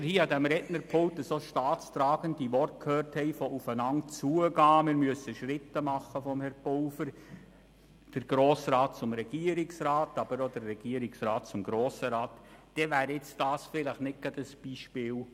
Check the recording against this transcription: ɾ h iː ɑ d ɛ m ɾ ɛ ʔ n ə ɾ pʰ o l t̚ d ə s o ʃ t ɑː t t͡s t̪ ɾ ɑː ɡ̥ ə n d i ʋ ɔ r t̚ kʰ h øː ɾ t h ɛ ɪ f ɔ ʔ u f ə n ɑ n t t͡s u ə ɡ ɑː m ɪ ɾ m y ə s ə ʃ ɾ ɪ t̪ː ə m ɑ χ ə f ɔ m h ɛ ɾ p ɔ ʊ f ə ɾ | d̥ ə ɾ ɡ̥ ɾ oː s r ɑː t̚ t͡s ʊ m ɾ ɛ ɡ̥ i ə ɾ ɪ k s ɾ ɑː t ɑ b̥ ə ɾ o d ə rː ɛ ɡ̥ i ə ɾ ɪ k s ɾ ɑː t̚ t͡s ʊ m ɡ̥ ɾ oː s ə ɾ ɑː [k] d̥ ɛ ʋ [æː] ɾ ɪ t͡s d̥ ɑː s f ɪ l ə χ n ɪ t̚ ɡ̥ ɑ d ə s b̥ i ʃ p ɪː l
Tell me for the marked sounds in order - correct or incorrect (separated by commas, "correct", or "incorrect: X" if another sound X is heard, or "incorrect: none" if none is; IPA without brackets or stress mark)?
incorrect: t, correct